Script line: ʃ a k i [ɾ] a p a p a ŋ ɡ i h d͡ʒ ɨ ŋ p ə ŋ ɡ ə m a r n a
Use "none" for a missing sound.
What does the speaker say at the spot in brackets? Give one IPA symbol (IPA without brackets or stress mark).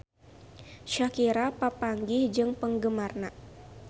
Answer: ɾ